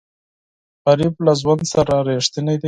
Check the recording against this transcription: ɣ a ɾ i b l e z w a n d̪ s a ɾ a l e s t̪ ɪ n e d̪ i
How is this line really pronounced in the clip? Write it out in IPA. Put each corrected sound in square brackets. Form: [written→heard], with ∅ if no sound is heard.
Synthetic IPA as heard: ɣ a ɾ i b l [e→a] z w a n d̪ s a ɾ a [l→ɾ] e [s→ʂ] t̪ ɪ n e d̪ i